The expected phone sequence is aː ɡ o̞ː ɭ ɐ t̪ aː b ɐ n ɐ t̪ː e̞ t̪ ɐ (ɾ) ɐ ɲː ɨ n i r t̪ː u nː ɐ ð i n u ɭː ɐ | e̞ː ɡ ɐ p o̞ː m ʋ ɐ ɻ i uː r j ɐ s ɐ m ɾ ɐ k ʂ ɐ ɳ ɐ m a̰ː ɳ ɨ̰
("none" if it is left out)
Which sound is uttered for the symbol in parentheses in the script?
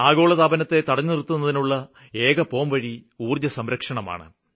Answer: ɽ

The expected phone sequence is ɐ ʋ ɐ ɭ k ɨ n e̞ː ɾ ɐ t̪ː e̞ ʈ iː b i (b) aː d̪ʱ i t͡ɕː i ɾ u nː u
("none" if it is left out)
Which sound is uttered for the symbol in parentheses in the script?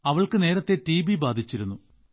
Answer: b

